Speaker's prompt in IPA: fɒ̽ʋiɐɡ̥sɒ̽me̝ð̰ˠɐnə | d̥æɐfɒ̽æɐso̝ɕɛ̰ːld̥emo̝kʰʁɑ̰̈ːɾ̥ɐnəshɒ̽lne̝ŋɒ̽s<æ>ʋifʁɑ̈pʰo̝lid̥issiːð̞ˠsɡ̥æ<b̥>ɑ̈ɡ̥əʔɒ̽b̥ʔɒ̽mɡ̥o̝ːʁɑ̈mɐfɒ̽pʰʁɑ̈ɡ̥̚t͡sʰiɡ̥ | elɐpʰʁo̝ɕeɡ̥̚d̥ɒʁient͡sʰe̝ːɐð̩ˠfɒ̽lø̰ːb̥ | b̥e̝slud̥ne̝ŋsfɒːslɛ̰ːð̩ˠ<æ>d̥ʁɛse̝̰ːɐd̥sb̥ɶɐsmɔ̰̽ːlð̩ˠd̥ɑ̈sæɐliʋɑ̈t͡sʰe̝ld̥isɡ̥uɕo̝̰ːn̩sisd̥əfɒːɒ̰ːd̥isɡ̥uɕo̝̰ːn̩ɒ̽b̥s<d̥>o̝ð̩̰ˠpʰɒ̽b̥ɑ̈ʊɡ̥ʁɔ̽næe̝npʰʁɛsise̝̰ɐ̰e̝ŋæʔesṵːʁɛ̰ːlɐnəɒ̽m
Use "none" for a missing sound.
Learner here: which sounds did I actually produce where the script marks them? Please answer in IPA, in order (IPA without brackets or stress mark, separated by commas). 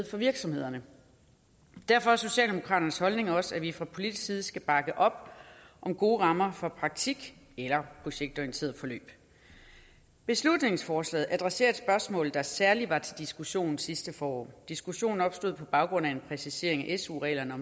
æ, b̥, æ, d̥